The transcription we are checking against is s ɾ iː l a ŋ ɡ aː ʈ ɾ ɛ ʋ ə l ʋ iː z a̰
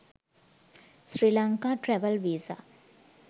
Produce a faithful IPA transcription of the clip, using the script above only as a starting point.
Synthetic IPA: s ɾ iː l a ŋ k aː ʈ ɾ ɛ ʋ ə l ʋ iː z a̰